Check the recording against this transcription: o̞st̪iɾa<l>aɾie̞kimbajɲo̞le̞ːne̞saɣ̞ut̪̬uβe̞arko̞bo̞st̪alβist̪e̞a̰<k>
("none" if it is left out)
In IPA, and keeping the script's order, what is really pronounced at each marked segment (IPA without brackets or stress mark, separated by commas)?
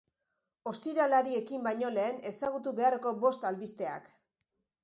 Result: l, k